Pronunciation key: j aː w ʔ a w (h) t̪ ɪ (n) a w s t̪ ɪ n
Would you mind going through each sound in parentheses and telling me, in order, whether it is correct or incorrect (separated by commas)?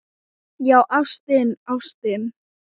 incorrect, correct